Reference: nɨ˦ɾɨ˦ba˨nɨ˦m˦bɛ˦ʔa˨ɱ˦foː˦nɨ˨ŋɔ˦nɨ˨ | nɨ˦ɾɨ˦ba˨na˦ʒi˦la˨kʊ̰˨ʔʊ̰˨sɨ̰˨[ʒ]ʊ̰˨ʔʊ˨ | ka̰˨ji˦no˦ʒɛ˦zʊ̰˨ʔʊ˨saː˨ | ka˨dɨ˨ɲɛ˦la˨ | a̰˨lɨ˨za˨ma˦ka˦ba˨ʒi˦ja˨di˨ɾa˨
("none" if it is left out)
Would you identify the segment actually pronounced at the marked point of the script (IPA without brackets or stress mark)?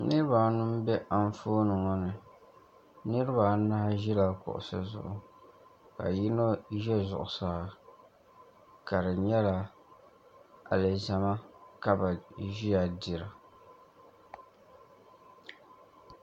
z